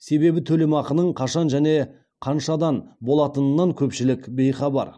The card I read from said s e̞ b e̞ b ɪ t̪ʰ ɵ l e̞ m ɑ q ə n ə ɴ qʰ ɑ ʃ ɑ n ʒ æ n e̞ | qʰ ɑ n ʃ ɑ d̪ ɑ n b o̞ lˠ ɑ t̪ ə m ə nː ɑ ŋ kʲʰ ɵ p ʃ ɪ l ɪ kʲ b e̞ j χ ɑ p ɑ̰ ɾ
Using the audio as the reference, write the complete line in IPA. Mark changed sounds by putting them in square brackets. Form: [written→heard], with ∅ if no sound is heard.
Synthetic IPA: s e̞ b e̞ b ɪ t̪ʰ ɵ l e̞ m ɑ q ə n ə ɴ qʰ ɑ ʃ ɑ n ʒ æ n e̞ | qʰ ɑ n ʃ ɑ d̪ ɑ n b o̞ lˠ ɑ t̪ ə [m→n] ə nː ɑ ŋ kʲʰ ɵ p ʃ ɪ l ɪ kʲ b e̞ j χ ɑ [p→b] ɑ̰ ɾ